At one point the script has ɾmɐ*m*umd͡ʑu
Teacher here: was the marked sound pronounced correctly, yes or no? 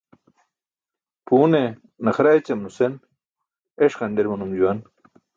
no